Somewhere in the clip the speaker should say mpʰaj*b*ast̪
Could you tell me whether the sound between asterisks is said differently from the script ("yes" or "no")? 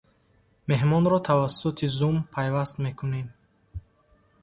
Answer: yes